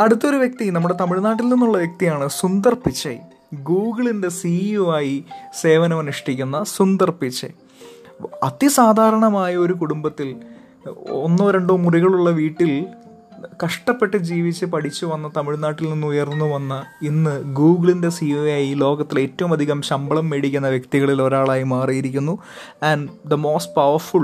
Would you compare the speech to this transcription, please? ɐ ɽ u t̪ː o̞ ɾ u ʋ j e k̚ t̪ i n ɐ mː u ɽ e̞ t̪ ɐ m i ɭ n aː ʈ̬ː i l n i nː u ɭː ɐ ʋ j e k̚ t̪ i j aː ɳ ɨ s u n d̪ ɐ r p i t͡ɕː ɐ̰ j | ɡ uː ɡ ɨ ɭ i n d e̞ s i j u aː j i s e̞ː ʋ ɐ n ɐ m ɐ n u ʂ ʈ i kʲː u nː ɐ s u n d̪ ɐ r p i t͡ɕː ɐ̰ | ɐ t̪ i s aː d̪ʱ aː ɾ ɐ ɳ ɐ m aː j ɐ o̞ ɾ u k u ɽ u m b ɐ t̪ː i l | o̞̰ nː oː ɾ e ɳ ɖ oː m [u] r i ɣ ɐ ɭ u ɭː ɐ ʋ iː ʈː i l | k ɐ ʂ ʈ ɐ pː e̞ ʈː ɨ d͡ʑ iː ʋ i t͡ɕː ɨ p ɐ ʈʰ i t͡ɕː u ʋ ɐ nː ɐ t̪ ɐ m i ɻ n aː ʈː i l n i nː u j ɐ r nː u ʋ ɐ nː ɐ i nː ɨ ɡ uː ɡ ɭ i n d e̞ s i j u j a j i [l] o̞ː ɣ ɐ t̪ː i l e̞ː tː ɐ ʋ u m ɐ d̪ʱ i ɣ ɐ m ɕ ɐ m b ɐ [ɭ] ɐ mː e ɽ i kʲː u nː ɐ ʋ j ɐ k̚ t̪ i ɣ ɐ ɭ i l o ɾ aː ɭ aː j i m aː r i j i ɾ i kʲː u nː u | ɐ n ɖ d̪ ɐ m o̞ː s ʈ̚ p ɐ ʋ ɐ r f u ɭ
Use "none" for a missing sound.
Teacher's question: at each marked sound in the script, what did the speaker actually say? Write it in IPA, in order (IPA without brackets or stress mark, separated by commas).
u, l, ɭ